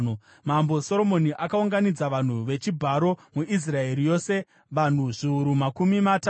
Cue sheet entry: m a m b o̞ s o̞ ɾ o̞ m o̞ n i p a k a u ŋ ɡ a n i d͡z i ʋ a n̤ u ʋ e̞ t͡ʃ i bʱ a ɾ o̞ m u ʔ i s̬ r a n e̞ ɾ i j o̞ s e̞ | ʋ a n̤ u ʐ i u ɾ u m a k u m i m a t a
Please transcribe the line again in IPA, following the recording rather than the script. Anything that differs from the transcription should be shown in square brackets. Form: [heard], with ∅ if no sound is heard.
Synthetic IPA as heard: m a m b o̞ s o̞ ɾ o̞ m o̞ n i [ʔ] a k a u ŋ ɡ a n i d͡z [a] ʋ a n̤ u ʋ e̞ t͡ʃ i bʱ a ɾ o̞ m u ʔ i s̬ r a [∅] e̞ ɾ i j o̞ s e̞ | ʋ a n̤ u ʐ i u ɾ u m a k u m i m a t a